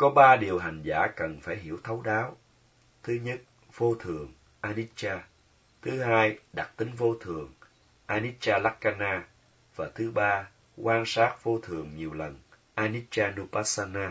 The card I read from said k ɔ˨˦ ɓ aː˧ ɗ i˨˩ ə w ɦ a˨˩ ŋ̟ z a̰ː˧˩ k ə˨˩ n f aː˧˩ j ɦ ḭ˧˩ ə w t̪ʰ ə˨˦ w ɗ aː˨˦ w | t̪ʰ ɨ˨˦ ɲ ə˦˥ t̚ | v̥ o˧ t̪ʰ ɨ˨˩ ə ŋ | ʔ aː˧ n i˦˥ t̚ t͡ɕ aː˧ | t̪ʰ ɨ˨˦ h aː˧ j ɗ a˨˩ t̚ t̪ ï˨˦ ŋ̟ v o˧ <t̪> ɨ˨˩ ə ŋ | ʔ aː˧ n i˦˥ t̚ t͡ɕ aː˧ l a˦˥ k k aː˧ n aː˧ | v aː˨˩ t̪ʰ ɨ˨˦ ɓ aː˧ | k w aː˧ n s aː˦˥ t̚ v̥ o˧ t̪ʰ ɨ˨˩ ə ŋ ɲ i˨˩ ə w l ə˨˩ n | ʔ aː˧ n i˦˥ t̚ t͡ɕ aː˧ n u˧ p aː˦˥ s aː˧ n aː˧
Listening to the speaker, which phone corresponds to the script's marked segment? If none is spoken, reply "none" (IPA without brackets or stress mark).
t̪ʰ